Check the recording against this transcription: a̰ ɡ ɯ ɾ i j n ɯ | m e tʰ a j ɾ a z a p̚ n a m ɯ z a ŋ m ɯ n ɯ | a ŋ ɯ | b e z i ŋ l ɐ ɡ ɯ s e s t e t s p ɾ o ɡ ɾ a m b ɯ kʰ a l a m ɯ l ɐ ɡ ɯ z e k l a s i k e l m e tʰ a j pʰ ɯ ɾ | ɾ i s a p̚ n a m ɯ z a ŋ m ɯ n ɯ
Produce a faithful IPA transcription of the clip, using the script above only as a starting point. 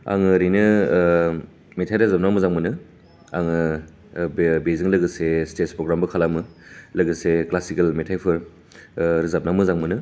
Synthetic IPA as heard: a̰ ŋ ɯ ɾ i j n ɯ | m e tʰ a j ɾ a z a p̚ n a m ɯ z a ŋ m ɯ n ɯ | a ŋ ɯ | b e z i ŋ l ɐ ɡ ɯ s e s t e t s p ɾ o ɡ ɾ a m b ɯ kʰ a l a m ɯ l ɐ ɡ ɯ s e k l a s i k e l m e tʰ a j pʰ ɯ ɾ | ɾ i z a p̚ n a m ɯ z a ŋ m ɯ n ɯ